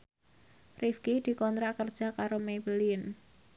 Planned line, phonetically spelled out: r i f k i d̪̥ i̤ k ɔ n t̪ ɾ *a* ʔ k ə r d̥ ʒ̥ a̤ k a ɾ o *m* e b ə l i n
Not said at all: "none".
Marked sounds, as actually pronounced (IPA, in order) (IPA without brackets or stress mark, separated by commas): a, m